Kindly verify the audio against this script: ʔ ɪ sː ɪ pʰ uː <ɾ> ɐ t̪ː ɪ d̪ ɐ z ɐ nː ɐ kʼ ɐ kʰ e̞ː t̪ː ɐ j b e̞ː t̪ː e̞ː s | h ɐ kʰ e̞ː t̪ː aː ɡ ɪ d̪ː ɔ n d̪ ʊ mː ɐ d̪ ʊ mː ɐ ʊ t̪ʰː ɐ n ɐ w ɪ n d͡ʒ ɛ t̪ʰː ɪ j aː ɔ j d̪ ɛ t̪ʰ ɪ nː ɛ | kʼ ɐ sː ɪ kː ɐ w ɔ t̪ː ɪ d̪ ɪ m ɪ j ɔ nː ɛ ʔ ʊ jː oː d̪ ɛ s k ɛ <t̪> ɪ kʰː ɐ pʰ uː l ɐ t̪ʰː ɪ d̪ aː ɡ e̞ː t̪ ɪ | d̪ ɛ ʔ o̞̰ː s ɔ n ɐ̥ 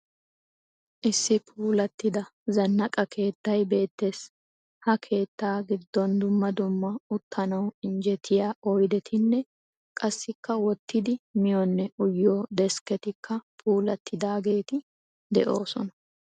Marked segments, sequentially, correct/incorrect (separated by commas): incorrect, correct